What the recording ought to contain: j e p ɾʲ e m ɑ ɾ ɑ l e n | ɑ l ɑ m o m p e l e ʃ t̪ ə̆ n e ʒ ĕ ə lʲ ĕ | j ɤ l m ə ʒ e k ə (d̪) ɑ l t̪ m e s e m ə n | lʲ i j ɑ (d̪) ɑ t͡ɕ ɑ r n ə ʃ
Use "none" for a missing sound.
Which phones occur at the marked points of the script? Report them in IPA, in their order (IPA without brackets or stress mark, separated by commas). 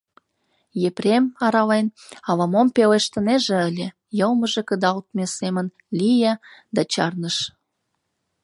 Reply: d̪, d̪